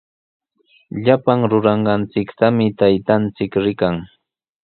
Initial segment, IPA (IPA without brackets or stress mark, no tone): ʎ